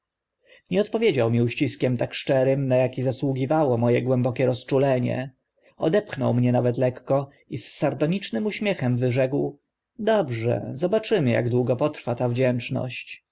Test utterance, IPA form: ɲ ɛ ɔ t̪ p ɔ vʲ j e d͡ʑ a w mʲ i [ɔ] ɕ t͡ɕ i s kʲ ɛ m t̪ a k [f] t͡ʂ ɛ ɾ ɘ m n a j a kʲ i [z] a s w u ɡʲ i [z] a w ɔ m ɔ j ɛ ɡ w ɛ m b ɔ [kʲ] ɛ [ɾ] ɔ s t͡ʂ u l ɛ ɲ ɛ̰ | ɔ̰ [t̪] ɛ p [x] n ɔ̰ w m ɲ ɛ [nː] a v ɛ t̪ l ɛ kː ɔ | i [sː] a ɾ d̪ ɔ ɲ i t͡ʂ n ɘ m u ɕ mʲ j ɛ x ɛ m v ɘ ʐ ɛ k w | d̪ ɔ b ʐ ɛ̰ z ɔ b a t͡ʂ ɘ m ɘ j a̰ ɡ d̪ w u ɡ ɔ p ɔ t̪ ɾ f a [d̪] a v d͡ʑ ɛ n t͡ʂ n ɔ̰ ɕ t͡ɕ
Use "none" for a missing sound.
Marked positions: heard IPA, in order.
u, ʂ, z, v, kʲ, ɾ, d̪, x, n, sː, t̪

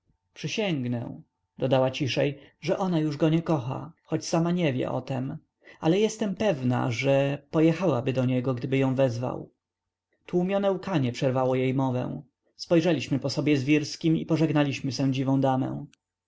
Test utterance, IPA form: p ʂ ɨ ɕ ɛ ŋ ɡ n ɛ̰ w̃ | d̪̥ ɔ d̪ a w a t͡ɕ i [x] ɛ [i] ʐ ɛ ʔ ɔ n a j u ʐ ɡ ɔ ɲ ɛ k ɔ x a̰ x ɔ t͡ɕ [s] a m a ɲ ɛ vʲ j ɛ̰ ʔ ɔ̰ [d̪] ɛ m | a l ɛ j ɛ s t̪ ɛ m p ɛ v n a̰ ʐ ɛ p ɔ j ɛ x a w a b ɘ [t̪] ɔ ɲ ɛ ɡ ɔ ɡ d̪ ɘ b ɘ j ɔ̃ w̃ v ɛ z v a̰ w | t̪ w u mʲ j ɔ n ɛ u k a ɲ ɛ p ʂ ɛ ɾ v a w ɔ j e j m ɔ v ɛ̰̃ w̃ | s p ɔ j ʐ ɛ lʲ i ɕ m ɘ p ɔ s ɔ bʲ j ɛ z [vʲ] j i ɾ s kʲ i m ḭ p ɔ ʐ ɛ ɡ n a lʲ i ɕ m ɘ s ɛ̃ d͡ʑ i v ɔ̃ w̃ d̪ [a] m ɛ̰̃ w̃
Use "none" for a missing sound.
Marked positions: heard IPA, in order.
ʂ, j, s, t̪, d̪, vʲ, a

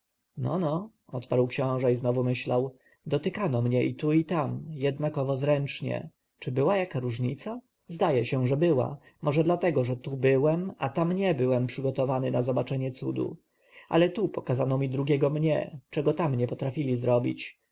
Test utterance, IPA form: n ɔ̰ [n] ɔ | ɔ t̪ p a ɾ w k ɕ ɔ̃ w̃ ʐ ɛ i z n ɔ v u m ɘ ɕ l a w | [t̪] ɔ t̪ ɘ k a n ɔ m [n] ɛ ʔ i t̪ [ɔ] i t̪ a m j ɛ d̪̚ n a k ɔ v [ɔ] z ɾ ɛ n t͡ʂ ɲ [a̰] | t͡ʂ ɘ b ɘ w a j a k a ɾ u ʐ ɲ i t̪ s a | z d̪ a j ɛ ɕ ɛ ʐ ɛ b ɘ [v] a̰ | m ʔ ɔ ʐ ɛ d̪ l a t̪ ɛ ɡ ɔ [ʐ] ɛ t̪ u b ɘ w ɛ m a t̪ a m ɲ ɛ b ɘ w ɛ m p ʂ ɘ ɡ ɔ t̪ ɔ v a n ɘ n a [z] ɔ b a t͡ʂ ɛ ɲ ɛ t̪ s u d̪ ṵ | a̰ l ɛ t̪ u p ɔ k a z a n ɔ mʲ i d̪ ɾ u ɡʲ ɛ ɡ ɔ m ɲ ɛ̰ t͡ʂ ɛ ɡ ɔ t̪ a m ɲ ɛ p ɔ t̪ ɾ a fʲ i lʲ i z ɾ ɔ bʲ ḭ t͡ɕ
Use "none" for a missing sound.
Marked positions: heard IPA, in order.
n, d̪, ɲ, u, ɔ, ɛ̰, w, ʐ, z

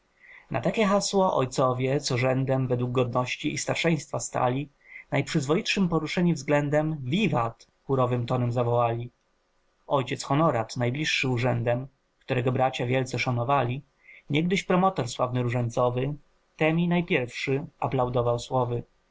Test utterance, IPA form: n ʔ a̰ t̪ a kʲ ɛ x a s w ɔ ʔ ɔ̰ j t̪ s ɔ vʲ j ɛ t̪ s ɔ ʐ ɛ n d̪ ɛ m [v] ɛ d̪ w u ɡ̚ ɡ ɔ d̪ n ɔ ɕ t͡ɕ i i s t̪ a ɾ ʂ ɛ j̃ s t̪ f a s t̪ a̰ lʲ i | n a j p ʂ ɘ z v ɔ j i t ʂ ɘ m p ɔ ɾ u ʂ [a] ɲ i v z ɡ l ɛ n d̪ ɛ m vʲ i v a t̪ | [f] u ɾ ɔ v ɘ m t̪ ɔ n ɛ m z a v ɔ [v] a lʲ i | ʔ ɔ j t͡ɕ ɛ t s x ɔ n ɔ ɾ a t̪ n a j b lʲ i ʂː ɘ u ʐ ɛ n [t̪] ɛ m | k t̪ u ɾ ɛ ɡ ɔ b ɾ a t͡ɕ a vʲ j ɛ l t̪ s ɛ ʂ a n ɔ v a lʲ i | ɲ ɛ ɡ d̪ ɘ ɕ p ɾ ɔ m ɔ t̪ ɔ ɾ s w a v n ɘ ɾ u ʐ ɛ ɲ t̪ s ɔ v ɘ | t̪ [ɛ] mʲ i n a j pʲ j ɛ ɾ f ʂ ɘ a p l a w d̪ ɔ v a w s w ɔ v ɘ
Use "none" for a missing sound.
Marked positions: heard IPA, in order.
v, ɛ, x, w, d̪, ɛ

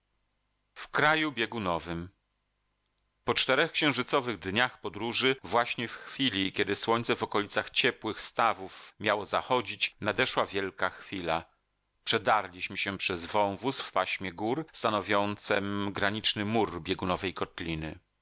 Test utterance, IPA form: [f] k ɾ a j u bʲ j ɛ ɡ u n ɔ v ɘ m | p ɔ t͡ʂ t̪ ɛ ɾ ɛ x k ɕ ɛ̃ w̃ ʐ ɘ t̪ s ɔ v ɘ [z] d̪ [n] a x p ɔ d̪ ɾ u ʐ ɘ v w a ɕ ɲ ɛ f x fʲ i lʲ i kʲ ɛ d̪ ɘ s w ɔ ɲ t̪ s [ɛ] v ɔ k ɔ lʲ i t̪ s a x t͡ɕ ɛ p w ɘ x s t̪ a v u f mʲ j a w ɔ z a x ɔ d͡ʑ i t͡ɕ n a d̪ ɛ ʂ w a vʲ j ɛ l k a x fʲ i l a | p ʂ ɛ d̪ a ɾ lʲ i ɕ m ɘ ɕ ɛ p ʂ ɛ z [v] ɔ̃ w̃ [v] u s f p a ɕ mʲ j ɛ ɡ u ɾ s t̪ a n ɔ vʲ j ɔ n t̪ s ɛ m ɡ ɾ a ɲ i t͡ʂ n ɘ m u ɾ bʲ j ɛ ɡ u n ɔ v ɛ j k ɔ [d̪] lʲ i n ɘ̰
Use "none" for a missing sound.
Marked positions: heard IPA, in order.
f, ɣ, ɲ, ɛ, v, v, t̪

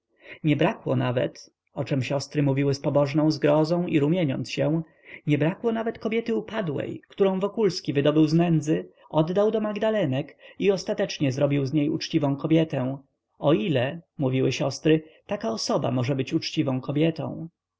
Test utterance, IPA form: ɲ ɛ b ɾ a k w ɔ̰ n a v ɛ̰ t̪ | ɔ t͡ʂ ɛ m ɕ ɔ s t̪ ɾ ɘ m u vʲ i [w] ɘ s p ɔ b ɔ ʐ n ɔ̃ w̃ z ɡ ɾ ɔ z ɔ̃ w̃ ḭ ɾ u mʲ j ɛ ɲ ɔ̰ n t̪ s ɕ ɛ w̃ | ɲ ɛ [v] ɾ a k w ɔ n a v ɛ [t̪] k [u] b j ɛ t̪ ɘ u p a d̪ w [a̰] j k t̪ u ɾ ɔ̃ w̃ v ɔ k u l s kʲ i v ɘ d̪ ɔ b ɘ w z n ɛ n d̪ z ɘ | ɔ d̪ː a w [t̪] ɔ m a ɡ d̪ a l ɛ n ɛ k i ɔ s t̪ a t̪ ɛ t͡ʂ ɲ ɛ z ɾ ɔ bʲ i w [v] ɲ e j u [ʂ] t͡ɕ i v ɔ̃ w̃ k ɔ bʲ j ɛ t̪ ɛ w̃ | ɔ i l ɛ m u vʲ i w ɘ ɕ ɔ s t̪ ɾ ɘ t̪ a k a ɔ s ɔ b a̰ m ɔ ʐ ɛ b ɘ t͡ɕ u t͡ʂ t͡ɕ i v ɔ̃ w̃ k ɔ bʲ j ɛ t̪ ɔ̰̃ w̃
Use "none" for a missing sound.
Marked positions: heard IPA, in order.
w, b, t̪, ɔ, ɛ̰, d̪, z, t͡ʂ

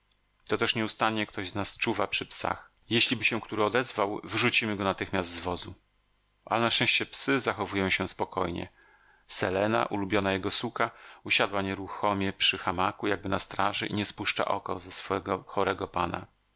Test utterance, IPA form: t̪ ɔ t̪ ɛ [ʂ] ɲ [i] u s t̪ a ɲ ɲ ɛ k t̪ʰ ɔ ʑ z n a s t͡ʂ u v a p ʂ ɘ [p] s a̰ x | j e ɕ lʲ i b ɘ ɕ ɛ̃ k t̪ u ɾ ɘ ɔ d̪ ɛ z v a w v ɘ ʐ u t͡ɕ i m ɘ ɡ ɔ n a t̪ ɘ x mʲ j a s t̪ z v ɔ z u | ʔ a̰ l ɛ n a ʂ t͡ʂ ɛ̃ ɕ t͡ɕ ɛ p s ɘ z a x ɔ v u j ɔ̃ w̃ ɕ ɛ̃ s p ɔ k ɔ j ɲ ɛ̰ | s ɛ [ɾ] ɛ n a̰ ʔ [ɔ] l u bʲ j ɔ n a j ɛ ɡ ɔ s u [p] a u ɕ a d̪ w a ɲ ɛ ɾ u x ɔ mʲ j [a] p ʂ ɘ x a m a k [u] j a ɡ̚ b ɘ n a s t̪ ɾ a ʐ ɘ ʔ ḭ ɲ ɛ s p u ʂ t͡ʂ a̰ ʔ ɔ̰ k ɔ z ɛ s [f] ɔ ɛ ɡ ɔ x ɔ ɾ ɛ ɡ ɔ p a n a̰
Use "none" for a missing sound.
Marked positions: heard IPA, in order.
ʂ, ɛ, p, l, u, k, ɛ, u, f

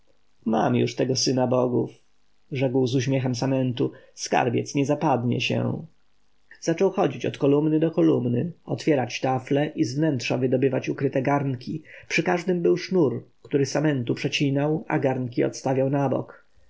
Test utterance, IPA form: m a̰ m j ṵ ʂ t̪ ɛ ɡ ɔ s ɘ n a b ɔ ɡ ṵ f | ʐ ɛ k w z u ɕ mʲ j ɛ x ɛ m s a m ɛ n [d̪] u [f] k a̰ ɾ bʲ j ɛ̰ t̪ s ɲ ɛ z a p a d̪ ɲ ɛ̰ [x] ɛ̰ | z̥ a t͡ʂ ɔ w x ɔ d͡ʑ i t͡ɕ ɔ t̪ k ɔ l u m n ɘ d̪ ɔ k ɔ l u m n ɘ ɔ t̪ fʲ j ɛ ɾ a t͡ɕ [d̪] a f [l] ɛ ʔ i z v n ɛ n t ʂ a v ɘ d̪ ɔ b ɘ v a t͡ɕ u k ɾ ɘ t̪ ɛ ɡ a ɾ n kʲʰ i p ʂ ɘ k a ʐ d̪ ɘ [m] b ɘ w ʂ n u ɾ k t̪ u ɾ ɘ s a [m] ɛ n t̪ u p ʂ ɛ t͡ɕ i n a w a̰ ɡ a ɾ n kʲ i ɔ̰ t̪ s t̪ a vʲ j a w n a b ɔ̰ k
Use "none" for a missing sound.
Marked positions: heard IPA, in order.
t̪, s, ɕ, t̪, l, m, m

